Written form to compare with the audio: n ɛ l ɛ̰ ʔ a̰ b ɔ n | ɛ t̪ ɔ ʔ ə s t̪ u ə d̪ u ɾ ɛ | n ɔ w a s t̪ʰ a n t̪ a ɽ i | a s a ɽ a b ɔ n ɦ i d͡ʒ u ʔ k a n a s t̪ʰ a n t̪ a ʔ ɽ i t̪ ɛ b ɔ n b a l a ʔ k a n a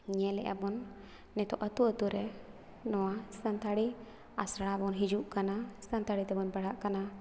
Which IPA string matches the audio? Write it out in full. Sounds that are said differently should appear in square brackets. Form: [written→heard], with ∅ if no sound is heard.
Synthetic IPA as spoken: [n→ɲ] ɛ l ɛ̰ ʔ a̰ b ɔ [n→nː] | ɛ t̪ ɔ ʔ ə [s→∅] t̪ u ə [d̪→t̪] u ɾ ɛ | n ɔ w a s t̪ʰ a n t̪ a ɽ i | a s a ɽ a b ɔ n ɦ i d͡ʒ u ʔ k a n a s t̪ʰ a n t̪ a [ʔ→∅] ɽ i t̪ ɛ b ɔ n b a [l→ɽ] a ʔ k a n a